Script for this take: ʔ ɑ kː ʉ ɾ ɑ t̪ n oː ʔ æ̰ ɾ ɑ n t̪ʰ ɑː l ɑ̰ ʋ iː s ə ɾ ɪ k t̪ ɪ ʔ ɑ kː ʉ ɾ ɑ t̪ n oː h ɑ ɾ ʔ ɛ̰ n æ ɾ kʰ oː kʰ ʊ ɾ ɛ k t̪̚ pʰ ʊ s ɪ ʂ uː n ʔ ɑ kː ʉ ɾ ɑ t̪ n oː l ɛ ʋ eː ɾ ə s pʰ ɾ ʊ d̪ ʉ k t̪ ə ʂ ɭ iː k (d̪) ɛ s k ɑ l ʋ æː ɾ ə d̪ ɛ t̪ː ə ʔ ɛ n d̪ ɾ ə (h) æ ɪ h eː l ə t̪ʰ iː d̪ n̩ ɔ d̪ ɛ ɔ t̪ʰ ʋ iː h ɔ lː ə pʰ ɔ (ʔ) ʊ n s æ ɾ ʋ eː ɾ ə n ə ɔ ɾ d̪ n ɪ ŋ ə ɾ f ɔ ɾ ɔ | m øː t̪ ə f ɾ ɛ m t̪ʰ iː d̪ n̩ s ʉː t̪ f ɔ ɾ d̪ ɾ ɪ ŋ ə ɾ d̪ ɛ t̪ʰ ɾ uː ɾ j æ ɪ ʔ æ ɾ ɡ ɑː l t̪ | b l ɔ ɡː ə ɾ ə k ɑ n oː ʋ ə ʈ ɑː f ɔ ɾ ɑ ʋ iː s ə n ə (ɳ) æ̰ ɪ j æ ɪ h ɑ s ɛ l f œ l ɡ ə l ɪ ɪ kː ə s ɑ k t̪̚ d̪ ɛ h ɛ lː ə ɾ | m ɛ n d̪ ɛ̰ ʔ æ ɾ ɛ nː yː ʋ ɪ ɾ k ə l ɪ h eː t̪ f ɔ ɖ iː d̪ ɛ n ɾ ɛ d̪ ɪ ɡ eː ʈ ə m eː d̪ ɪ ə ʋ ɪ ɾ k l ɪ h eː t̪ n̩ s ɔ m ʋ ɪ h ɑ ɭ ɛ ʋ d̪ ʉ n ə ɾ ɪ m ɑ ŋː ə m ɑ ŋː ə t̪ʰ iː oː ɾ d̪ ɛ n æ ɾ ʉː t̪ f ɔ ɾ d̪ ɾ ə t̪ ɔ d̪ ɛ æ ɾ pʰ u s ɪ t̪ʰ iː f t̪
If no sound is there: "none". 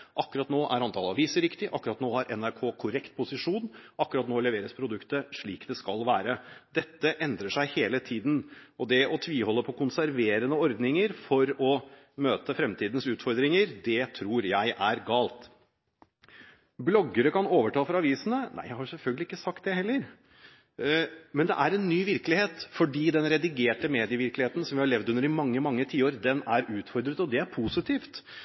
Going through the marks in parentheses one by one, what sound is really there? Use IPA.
d̪, ʂ, k, n

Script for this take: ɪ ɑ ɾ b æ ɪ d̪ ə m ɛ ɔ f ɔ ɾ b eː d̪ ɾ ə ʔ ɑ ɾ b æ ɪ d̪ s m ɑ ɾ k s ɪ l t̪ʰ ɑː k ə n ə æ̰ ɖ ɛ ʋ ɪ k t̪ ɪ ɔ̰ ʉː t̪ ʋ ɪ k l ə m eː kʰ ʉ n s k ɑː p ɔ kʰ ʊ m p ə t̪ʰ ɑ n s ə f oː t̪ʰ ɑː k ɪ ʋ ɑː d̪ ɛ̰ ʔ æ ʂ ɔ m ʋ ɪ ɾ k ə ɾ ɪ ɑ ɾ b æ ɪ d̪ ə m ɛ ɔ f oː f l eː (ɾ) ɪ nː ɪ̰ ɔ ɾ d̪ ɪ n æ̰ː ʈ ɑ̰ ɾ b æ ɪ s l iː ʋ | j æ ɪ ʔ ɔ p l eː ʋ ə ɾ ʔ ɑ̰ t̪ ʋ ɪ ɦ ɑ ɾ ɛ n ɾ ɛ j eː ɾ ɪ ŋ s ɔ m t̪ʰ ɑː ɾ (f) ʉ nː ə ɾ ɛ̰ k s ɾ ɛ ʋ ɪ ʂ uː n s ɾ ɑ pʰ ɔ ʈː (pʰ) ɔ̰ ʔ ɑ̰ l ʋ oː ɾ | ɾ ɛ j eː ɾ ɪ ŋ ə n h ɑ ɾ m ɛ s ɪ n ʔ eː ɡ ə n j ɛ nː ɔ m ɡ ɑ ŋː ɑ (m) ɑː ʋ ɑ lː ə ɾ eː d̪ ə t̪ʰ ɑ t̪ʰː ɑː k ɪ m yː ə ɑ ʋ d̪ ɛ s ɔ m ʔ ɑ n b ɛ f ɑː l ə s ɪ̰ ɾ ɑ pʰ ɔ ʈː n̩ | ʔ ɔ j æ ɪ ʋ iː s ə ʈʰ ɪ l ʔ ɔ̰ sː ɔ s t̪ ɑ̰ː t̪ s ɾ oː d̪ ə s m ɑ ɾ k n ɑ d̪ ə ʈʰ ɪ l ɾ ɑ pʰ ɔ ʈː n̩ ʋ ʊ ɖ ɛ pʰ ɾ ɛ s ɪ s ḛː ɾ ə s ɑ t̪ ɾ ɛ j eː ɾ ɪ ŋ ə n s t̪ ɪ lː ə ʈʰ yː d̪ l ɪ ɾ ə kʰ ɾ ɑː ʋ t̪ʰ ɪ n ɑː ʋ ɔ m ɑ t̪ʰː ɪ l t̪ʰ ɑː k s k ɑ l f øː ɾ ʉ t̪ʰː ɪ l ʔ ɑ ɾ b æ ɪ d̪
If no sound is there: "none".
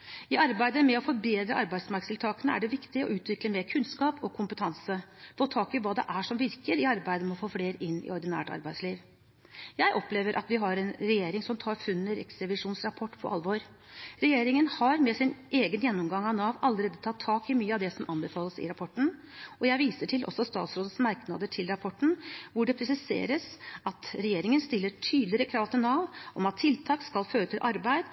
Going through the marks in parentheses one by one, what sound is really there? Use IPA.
ɾ, f, pʰ, n

